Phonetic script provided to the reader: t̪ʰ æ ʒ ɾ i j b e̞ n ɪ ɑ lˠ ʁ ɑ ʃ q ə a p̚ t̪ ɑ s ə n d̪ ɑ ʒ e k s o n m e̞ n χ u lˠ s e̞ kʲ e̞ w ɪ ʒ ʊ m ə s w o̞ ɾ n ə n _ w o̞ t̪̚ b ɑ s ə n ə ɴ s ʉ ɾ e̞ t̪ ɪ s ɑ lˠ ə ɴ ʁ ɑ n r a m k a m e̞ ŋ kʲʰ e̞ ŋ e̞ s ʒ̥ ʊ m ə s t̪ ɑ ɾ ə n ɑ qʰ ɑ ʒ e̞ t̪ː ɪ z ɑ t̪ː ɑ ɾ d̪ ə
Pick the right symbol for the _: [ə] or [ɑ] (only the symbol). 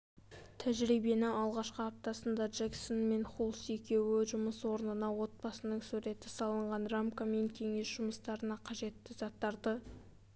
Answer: ɑ